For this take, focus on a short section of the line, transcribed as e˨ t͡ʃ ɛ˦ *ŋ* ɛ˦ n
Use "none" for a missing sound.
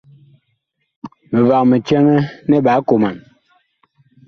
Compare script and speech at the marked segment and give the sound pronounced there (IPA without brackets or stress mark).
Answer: ŋ